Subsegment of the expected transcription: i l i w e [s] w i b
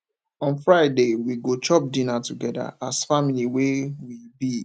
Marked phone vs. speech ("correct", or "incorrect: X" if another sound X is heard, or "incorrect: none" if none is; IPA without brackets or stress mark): incorrect: none